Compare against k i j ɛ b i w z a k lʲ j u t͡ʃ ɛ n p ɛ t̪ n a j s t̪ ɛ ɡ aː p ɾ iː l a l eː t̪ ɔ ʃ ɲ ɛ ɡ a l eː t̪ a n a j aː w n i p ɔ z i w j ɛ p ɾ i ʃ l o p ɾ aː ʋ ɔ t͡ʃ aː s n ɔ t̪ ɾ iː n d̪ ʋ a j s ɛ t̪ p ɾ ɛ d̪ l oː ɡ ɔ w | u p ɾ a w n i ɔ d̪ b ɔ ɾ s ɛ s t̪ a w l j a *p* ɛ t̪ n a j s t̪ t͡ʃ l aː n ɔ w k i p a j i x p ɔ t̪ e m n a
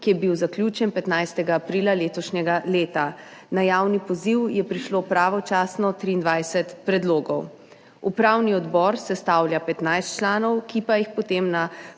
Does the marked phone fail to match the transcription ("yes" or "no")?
no